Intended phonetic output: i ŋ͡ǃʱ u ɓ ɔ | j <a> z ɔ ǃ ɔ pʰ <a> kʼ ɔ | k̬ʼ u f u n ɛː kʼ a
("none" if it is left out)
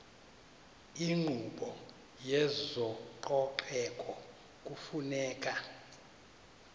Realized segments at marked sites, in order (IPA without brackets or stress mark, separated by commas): ɛ, ɛ